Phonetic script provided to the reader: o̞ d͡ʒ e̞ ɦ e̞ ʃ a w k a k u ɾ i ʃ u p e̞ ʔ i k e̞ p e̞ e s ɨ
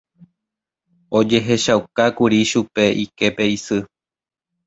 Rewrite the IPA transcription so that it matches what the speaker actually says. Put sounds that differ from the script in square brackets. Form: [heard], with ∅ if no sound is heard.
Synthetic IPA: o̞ d͡ʒ e̞ ɦ e̞ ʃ a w k a k u ɾ i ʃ u p e̞ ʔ i k e̞ p e̞ [i] s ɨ